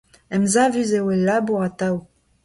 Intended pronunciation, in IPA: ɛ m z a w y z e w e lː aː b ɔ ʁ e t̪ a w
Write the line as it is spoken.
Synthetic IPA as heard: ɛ m z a v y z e w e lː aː b u ʁ a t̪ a w